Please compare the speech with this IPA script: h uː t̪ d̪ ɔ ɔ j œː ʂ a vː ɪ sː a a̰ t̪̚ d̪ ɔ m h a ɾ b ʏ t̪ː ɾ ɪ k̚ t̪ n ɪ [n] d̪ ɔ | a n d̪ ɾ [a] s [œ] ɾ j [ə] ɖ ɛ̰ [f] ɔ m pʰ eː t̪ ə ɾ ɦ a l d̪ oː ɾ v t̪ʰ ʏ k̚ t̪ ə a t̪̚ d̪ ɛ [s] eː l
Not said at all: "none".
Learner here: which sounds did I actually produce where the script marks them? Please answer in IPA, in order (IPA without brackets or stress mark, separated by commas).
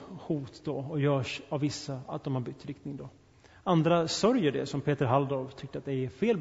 ŋ, a, œ, ə, s, f